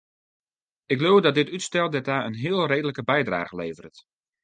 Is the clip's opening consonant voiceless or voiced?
voiceless